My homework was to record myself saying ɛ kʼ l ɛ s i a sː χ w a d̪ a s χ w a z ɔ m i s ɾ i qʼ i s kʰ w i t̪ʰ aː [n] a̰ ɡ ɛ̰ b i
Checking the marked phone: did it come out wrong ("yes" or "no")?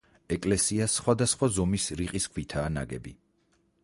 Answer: no